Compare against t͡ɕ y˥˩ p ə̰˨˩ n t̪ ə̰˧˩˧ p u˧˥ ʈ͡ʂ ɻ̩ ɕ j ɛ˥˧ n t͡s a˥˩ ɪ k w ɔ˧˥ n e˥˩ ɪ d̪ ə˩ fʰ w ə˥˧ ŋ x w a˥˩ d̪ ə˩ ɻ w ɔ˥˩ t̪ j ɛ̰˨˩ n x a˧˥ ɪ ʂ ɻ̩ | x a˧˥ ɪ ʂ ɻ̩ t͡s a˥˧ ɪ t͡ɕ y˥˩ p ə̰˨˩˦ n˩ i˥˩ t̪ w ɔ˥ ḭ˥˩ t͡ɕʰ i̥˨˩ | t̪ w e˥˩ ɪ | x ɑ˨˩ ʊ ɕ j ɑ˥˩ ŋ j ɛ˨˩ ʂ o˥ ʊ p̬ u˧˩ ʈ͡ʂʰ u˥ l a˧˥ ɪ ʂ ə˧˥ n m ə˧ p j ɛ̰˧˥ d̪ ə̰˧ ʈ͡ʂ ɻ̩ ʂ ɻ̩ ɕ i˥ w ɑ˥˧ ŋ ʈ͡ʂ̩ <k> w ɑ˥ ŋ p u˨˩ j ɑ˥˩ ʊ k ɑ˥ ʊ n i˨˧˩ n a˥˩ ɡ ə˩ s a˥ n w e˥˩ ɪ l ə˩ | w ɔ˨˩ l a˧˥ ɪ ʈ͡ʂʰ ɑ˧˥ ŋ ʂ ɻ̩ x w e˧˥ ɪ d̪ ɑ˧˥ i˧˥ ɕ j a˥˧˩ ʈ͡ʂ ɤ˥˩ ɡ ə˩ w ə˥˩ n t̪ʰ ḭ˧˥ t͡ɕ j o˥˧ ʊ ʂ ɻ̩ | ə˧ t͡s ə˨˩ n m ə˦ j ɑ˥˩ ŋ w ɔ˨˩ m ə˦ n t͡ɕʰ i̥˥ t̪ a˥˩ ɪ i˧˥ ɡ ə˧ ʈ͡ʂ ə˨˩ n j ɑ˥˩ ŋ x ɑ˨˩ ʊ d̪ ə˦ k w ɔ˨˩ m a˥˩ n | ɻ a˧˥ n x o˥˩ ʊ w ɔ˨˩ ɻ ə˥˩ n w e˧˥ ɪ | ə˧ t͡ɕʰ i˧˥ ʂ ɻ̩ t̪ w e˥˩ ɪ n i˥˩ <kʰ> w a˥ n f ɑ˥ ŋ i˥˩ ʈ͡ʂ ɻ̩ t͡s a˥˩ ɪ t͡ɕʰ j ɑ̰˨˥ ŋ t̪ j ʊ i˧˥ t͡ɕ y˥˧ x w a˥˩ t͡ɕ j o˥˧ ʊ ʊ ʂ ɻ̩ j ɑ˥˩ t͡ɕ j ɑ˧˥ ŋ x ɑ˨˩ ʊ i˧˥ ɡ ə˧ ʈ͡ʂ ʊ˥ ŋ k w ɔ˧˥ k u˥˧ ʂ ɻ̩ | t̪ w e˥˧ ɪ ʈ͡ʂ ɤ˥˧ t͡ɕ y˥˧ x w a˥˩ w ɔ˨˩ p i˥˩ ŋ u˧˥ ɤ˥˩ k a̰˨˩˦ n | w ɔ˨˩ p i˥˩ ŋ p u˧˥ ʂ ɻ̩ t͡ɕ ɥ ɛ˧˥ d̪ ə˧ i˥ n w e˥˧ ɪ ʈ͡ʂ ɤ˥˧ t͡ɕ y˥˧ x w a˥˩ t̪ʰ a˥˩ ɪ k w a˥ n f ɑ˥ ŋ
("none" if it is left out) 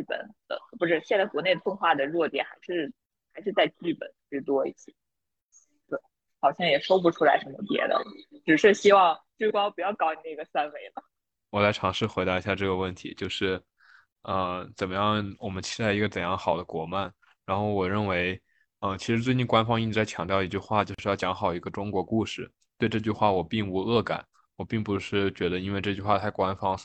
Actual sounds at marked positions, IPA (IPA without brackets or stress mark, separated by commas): k, k